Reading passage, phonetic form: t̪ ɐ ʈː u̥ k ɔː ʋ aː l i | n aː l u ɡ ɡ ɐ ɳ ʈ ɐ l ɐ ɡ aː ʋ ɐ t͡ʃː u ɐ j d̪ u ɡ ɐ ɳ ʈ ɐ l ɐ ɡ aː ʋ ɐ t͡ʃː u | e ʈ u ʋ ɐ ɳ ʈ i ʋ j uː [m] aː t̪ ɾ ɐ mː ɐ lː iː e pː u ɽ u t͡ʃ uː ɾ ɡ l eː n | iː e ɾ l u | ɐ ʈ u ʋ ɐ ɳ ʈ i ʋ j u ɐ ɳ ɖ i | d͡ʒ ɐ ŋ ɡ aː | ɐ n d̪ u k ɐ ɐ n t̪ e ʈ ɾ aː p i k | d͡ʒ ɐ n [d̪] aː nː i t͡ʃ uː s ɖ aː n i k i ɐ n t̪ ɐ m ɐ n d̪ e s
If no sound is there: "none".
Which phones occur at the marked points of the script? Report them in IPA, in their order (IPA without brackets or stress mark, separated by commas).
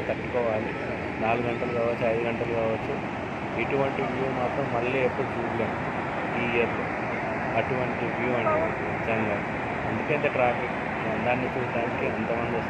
m, d̪